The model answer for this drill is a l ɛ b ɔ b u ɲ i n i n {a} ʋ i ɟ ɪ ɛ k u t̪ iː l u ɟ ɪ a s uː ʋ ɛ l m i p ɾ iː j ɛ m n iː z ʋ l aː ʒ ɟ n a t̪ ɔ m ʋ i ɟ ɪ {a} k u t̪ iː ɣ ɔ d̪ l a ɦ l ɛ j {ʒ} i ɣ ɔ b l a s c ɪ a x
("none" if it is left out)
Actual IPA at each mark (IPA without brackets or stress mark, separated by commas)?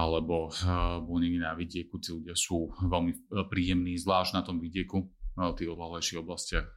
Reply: a, ɛ, ʃ